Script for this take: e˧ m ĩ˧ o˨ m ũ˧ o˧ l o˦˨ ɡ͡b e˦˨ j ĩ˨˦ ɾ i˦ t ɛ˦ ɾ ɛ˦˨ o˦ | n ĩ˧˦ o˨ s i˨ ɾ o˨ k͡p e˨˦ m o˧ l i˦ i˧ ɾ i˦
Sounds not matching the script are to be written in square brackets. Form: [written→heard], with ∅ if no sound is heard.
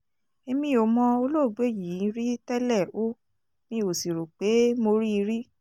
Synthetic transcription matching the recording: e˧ m ĩ˧ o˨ m [ũ˧→ɔ̃˧] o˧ l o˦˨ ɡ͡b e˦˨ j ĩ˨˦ ɾ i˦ t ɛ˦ [ɾ→l] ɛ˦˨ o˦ | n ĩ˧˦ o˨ s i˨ ɾ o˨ k͡p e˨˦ m o˧ [l→ɾ] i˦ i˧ ɾ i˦